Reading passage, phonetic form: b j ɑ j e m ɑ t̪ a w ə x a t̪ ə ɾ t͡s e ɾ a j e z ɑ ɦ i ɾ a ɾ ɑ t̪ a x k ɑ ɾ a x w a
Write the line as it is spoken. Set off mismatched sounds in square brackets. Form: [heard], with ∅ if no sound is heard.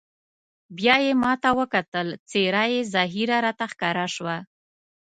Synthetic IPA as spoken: b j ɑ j e m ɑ t̪ a w ə [k] a t̪ ə [l] t͡s e ɾ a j e z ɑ ɦ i ɾ a ɾ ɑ t̪ a x k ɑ ɾ a [ʃ] w a